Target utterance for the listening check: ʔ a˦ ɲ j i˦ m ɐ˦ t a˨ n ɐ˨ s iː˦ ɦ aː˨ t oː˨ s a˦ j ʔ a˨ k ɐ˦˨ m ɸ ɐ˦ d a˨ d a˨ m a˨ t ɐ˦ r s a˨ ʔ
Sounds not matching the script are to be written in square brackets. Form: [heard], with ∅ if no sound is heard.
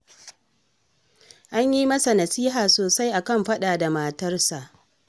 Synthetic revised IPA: ʔ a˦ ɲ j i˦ m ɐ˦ [s] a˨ n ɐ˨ s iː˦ ɦ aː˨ [s] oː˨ s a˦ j ʔ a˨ k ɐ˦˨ m ɸ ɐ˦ [ɗ] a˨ d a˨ m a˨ t ɐ˦ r s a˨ ʔ